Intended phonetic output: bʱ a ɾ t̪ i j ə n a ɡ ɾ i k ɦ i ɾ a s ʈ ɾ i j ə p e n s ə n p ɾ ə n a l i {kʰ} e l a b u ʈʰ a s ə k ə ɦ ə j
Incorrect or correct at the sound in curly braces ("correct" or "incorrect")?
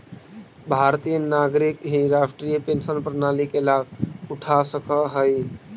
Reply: incorrect